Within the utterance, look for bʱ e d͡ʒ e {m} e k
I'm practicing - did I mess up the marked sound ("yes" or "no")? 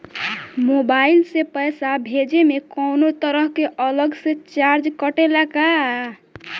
no